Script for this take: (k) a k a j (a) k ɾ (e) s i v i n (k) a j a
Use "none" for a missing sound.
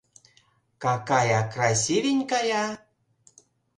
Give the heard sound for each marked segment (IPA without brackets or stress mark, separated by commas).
k, a, a, k